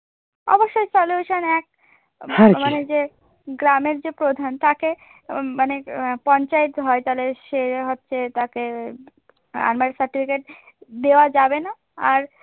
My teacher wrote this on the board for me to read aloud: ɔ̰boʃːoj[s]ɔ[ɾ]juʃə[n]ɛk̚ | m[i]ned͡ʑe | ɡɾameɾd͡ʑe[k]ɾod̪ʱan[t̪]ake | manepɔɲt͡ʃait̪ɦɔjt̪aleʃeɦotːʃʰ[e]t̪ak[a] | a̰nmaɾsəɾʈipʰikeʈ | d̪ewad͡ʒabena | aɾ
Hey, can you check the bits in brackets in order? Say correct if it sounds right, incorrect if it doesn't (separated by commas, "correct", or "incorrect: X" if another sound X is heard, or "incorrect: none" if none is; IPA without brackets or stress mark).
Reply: correct, incorrect: l, correct, incorrect: a, incorrect: p, correct, correct, incorrect: e